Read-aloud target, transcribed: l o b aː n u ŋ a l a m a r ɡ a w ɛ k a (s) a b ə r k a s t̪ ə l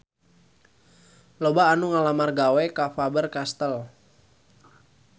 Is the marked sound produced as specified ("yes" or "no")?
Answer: no